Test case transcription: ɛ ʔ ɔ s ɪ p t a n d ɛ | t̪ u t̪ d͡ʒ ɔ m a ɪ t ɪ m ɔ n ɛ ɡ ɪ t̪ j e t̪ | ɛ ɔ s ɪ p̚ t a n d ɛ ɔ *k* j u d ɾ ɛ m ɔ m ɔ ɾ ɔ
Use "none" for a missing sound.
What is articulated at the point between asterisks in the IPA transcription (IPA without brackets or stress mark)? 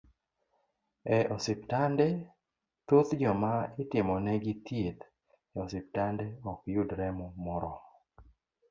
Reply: k